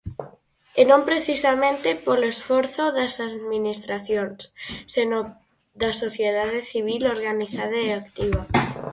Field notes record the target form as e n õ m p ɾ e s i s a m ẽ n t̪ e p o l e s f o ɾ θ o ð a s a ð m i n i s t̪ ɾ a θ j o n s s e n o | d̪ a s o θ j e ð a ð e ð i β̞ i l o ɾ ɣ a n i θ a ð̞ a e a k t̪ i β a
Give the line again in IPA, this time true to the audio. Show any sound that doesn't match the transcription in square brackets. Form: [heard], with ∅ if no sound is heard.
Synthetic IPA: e n õ m p ɾ e [θ] i s a m ẽ n t̪ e p o l e s f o ɾ θ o ð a s a ð m i n i s t̪ ɾ a θ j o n s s e n o | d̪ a s o θ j e ð a ð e [θ] i β̞ i l o ɾ ɣ a n i θ a ð̞ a e a k t̪ i β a